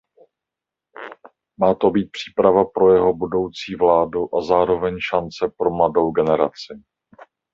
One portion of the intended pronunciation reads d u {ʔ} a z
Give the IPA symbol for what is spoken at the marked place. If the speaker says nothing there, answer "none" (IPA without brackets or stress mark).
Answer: ʔ